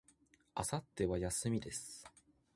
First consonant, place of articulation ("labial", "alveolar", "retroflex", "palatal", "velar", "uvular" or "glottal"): alveolar